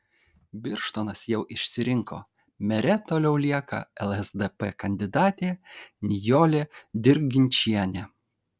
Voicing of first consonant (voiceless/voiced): voiced